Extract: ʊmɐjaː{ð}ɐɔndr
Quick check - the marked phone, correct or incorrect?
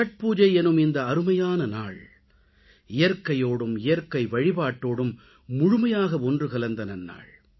incorrect